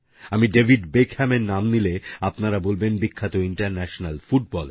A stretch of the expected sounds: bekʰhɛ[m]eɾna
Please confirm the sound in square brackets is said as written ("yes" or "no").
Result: yes